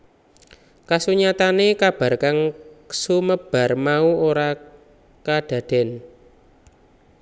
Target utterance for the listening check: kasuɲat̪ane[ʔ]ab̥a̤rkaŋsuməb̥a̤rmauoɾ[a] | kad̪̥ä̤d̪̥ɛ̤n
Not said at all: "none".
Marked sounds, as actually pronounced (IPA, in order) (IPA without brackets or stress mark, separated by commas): k, a